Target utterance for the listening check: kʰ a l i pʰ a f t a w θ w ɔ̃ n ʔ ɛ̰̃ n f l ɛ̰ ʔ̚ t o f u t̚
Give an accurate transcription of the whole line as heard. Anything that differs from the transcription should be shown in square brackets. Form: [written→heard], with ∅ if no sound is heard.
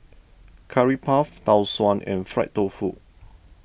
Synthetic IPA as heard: kʰ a [l→ɹ] i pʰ a f t a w [θ→s] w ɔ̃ n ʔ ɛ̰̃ n f [l→ɹ] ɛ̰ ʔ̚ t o f u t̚